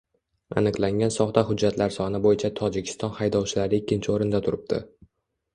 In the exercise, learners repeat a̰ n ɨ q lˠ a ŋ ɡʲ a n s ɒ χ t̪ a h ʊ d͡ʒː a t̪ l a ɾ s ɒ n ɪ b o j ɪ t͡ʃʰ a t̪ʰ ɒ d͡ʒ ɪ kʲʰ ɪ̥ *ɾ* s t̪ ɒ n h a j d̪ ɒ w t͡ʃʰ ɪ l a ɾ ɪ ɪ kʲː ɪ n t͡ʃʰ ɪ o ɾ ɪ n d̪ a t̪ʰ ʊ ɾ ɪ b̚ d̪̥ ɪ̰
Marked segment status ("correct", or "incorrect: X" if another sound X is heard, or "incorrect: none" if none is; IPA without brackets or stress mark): incorrect: none